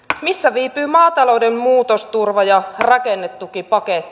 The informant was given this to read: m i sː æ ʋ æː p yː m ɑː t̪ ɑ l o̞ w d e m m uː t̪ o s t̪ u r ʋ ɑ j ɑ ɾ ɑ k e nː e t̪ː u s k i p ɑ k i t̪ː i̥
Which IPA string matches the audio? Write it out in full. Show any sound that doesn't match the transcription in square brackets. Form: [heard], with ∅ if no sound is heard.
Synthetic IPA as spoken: m i sː æ ʋ [iː] p yː m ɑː t̪ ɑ l o̞ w d e m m uː t̪ o s t̪ u r ʋ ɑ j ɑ [r] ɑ k e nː e t̪ː u [∅] k i p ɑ k [e] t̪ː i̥